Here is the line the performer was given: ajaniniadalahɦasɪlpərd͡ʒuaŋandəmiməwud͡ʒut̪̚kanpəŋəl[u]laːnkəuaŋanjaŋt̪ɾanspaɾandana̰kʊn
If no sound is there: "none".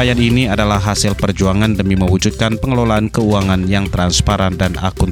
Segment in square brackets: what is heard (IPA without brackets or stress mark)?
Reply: o